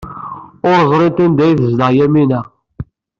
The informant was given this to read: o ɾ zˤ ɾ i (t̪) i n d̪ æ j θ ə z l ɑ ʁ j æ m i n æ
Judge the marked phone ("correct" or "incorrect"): correct